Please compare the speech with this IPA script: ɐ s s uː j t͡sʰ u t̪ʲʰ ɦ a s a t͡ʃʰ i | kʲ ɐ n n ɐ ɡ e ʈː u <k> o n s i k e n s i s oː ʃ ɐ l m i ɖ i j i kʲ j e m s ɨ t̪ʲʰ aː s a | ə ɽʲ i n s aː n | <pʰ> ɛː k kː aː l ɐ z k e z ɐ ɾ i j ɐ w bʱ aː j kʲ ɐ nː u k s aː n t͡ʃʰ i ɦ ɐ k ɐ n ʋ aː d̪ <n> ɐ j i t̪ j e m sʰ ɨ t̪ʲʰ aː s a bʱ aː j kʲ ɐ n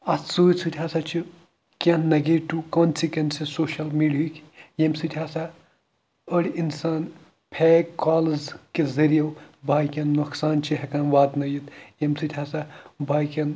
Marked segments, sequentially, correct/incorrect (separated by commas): correct, correct, correct